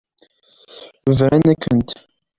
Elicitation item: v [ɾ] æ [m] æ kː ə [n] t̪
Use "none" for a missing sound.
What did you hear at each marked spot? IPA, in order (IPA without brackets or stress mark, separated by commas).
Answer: ɾ, n, n